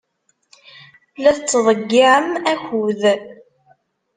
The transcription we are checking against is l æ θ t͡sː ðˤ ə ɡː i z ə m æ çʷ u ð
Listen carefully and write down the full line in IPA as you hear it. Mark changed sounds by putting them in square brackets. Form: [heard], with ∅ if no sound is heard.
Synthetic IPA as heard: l æ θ t͡sː ðˤ ə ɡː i [ʕ] ə m æ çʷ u ð